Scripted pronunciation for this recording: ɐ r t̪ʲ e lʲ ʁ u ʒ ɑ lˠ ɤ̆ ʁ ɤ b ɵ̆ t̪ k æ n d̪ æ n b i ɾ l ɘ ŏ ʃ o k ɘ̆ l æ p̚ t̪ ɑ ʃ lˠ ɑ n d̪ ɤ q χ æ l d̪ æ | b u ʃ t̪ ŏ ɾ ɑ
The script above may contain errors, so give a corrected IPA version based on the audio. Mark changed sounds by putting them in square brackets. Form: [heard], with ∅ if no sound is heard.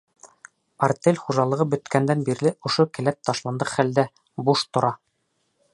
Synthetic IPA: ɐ r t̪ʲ e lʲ [χ] u ʒ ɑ lˠ ɤ̆ ʁ ɤ b ɵ̆ t̪ k æ n d̪ æ n b i ɾ l ɘ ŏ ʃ o k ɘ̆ l æ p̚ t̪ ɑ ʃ lˠ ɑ n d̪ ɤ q χ æ l d̪ æ | b u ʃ t̪ ŏ ɾ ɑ